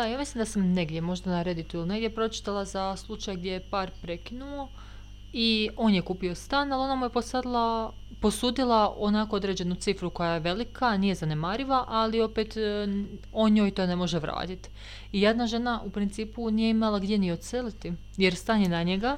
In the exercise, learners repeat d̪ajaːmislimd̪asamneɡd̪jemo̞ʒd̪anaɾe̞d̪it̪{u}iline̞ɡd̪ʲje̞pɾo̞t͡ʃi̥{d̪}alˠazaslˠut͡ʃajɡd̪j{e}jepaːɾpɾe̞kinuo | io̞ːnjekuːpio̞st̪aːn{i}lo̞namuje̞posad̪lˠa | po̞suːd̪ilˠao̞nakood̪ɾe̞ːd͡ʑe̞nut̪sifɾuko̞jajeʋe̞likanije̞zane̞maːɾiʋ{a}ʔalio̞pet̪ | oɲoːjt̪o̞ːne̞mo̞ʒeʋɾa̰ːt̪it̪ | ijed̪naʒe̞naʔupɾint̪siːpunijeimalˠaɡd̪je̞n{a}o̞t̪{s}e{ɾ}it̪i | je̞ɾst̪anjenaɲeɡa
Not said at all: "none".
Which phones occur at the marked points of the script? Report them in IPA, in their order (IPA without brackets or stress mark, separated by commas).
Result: u, t̪, e, a, a, i, s, l